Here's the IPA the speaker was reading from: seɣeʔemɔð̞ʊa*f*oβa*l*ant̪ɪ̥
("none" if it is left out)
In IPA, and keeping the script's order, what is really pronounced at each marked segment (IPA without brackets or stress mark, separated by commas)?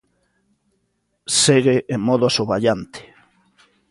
s, ʎ